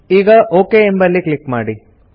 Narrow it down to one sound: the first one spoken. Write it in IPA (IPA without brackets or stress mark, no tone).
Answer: iː